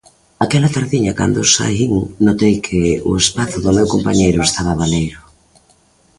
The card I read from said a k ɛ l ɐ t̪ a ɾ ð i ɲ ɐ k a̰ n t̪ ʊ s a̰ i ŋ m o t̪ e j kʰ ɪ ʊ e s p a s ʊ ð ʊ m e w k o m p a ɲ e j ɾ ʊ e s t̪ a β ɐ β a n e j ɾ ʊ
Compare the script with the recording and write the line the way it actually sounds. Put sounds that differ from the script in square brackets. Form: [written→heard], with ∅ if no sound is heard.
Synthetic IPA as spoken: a k ɛ l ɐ t̪ a ɾ ð i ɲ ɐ k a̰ n [t̪→d̪] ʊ s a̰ i ŋ [m→n] o t̪ e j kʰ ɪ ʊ e s p a [s→θ] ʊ ð ʊ m e w k o m p a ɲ e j ɾ ʊ e s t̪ a β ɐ β a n e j ɾ ʊ